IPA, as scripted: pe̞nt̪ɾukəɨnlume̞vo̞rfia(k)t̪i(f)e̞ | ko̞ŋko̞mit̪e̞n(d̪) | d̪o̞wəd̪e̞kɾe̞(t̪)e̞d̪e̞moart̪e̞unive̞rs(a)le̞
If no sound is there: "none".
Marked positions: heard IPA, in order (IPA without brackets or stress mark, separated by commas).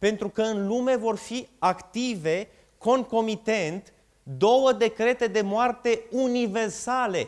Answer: k, v, t̪, t̪, a